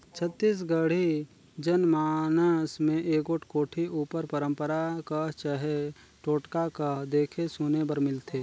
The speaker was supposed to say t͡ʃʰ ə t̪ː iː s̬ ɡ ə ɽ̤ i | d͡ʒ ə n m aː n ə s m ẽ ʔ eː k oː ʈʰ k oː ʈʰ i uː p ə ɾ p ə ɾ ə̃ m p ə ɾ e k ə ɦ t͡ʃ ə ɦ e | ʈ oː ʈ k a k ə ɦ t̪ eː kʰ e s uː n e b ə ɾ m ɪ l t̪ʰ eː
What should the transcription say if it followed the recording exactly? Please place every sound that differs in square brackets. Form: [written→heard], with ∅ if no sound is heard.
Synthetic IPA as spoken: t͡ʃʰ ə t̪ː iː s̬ ɡ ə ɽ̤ i | d͡ʒ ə n m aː n ə s m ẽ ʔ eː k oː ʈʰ k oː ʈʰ i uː p ə ɾ p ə ɾ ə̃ m p ə ɾ [e→a] k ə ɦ t͡ʃ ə ɦ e | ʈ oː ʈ k a k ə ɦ [t̪→d̪] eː kʰ e s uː n e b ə ɾ m ɪ l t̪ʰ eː